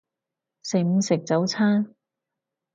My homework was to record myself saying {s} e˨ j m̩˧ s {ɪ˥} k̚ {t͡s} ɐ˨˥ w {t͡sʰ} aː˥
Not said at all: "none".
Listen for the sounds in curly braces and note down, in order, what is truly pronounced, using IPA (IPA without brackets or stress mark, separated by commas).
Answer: s, ɪ˨, t͡s, t͡sʰ